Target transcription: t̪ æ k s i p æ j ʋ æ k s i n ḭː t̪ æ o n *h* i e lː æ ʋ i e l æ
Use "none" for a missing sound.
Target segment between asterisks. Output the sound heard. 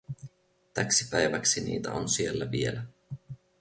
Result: s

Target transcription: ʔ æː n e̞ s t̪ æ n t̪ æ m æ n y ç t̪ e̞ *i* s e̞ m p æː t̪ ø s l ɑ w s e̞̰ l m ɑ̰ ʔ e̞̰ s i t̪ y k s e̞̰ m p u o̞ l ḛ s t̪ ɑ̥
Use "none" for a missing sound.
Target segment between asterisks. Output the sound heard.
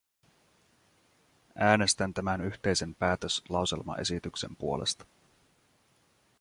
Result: j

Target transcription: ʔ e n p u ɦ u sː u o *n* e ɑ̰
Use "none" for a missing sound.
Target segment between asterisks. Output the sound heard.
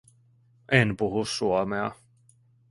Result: m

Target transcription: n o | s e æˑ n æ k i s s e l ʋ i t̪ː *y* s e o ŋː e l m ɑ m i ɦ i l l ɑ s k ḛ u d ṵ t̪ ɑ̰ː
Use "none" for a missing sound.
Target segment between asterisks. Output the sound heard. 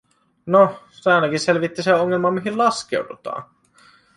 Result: i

